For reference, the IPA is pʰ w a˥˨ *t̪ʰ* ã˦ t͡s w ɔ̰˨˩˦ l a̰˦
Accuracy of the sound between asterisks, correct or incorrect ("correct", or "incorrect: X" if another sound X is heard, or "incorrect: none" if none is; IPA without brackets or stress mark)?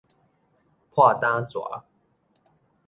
incorrect: t̪